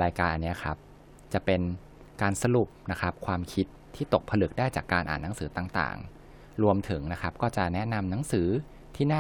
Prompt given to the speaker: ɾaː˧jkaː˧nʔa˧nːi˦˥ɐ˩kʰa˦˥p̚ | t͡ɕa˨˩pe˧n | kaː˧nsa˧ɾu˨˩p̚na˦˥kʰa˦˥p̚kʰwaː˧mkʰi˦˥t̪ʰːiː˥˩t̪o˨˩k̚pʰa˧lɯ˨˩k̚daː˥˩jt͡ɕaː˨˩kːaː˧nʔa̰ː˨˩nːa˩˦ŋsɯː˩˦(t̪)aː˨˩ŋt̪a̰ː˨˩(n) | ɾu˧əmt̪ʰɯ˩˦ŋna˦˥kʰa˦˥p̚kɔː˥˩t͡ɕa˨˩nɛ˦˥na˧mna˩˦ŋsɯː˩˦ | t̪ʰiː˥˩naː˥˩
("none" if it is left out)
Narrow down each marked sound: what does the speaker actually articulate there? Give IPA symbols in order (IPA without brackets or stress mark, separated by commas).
t̪, ŋ